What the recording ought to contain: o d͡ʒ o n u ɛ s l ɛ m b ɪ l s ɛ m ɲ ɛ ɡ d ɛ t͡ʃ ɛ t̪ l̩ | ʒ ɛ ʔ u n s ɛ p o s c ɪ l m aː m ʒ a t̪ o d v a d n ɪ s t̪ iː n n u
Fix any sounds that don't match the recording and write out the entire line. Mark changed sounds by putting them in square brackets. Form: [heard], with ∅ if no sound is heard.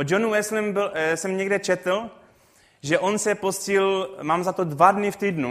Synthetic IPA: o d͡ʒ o n u ɛ s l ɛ m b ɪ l s ɛ m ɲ ɛ ɡ d ɛ t͡ʃ ɛ t̪ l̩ | ʒ ɛ ʔ [o] n s ɛ p o s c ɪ l m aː m [z] a t̪ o d v a d n ɪ [f] t̪ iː [d] n u